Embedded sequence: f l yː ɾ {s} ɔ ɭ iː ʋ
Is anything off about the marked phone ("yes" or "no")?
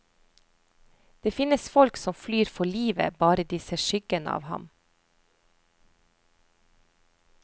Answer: yes